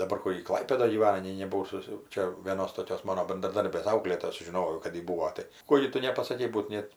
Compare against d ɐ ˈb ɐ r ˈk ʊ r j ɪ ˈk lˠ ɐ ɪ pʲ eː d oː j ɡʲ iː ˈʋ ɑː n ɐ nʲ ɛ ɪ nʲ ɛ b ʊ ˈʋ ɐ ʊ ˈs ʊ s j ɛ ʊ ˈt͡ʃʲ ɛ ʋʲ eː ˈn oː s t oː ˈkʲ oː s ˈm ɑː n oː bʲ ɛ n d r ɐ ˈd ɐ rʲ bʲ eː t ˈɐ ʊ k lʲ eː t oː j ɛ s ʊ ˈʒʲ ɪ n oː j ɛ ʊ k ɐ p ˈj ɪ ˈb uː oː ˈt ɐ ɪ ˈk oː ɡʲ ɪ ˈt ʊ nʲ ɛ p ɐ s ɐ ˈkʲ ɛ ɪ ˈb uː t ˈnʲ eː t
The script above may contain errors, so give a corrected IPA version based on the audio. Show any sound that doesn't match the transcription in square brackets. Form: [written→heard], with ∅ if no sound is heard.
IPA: d ɐ ˈb ɐ r ˈk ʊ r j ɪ ˈk lˠ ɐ ɪ pʲ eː d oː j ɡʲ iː ˈʋ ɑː n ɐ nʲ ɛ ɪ nʲ ɛ b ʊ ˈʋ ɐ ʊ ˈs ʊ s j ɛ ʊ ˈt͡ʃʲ ɛ ʋʲ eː ˈn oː s t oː ˈkʲ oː s ˈm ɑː n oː bʲ ɛ n d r ɐ ˈd ɐ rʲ bʲ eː [t→s] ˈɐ ʊ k lʲ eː t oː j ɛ s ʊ ˈʒʲ ɪ n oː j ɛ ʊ k ɐ [p→t] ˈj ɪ ˈb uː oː ˈt ɐ ɪ ˈk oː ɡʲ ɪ ˈt ʊ nʲ ɛ p ɐ s ɐ ˈkʲ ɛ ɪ ˈb uː t ˈnʲ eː t